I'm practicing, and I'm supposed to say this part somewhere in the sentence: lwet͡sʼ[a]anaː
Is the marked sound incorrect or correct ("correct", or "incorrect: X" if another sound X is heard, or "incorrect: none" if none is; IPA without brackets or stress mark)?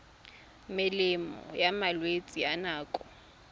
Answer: incorrect: i